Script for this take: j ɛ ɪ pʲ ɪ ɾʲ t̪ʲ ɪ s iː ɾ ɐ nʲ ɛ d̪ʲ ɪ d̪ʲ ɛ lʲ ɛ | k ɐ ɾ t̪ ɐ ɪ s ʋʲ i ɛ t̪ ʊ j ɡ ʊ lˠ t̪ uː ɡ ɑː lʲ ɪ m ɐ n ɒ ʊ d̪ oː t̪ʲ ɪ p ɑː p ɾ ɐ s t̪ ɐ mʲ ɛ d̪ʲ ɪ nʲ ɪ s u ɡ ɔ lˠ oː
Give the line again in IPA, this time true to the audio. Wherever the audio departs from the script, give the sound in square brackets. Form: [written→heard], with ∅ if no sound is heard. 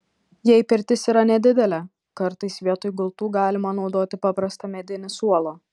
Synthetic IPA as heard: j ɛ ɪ pʲ ɪ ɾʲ t̪ʲ ɪ s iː ɾ ɐ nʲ ɛ d̪ʲ ɪ d̪ʲ ɛ lʲ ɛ | k ɐ ɾ t̪ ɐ ɪ s ʋʲ i ɛ t̪ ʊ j ɡ ʊ lˠ t̪ uː ɡ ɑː lʲ ɪ m ɐ n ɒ ʊ d̪ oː t̪ʲ ɪ p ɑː p ɾ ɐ s t̪ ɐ mʲ ɛ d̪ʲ ɪ nʲ ɪ s u [ɡ→∅] ɔ lˠ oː